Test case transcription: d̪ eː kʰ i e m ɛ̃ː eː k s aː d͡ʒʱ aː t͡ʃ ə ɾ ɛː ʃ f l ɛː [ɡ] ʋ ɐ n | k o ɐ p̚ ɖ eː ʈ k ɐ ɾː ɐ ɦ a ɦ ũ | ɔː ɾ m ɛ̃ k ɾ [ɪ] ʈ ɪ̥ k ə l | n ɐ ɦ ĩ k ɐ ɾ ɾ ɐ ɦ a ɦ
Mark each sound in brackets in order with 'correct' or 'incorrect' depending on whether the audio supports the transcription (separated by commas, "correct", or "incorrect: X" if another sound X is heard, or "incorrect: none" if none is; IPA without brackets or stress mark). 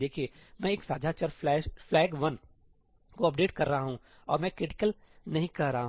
correct, correct